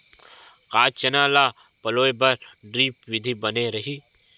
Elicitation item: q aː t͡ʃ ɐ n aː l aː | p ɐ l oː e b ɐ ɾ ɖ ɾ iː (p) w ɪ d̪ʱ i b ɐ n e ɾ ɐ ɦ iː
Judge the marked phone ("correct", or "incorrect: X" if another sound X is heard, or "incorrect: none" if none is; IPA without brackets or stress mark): correct